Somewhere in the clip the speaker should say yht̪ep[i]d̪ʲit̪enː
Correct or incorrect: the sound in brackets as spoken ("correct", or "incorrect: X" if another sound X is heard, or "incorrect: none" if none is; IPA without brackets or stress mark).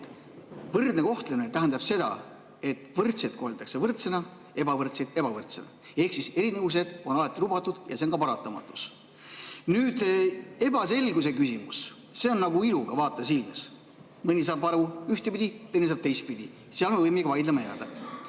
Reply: correct